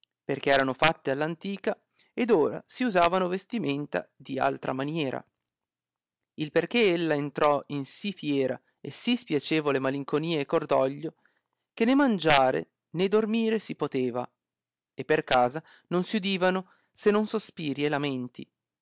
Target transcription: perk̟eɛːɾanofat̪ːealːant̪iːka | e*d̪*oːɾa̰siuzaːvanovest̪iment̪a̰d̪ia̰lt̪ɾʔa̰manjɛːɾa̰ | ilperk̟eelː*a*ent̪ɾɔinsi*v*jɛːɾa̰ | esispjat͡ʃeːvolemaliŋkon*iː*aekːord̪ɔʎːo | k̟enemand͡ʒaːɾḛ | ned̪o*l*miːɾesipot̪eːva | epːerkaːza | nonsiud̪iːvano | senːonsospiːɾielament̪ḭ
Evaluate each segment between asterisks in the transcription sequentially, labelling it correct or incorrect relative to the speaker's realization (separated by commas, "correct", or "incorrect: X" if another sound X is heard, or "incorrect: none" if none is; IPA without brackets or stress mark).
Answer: correct, correct, incorrect: f, correct, incorrect: r